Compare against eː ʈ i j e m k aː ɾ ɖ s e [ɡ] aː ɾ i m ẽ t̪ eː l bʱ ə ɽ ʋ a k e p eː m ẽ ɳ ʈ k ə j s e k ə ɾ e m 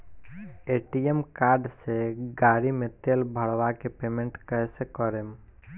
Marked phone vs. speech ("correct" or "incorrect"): correct